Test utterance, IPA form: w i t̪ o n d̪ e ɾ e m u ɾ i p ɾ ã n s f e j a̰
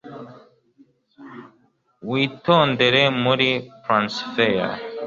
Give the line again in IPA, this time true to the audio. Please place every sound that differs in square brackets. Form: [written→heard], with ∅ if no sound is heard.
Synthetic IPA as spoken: w i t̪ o n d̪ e ɾ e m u ɾ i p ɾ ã n s f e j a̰